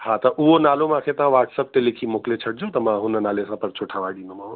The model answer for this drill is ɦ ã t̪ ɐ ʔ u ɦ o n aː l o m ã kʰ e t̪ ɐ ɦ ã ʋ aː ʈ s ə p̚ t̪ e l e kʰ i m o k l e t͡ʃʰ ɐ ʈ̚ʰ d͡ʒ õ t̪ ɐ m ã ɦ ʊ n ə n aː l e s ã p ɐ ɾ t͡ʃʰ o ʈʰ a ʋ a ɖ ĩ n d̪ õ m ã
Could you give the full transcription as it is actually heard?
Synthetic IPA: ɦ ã t̪ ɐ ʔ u ɦ o n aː l o m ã kʰ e t̪ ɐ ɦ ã ʋ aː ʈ s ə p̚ t̪ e l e kʰ i m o k l e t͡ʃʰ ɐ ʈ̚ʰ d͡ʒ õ t̪ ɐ m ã ɦ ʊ n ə n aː l e s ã p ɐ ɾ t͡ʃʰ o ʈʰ a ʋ a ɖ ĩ n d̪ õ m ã